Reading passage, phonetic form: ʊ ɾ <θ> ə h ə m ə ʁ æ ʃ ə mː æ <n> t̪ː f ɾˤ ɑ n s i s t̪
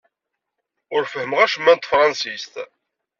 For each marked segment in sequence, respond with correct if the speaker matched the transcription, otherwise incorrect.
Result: incorrect: f, correct

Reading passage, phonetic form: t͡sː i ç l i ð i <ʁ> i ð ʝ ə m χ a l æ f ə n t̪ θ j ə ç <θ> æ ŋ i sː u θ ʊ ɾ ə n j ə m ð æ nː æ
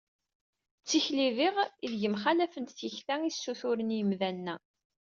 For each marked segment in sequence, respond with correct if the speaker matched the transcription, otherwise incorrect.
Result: correct, correct

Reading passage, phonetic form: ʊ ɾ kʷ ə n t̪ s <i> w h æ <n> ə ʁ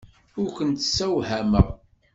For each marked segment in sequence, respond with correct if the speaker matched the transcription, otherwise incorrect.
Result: incorrect: æ, incorrect: m

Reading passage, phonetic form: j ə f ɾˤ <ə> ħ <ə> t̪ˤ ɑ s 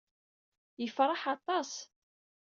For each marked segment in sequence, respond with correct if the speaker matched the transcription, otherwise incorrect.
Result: incorrect: ɑ, incorrect: ɑ

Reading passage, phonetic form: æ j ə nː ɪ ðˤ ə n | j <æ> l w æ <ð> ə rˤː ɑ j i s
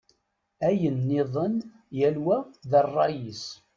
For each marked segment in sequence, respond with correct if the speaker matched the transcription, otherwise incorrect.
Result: correct, correct

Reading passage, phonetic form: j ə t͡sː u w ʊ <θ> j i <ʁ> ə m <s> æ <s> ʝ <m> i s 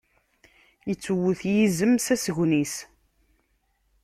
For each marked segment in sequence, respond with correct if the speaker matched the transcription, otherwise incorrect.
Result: correct, incorrect: z, correct, correct, incorrect: n

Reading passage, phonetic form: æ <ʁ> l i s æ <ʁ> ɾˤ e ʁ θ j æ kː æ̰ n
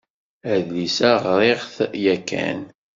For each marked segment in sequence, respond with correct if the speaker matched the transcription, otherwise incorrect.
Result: incorrect: ð, correct

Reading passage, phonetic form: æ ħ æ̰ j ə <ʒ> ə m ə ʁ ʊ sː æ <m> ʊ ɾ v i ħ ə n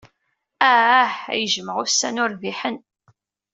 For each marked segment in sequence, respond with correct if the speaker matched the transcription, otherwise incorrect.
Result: correct, incorrect: n

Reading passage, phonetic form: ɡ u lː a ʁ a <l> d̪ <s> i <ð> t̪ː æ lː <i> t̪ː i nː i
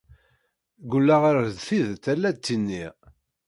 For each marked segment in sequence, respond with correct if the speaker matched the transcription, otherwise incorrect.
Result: incorrect: ɾ, incorrect: θ, correct, incorrect: æ

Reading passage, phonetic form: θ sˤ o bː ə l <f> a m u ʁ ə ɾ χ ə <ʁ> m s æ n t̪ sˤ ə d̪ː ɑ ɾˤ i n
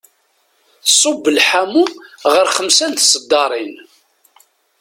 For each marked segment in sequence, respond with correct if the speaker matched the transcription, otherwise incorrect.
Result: incorrect: ħ, incorrect: none

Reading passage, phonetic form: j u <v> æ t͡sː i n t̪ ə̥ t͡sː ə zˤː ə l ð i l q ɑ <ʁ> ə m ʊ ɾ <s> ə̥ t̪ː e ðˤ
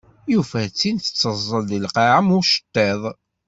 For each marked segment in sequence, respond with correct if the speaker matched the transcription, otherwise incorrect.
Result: incorrect: f, incorrect: ʕ, incorrect: ʃ

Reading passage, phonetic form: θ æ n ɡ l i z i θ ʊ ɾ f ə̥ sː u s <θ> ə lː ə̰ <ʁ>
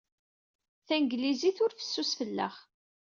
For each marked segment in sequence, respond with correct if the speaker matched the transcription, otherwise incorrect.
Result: incorrect: f, incorrect: χ

